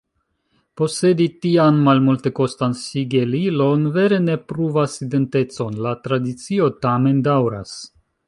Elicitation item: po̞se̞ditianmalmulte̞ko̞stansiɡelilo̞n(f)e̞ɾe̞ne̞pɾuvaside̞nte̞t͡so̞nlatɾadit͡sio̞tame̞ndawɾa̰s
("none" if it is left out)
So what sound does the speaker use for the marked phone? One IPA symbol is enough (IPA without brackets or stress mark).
v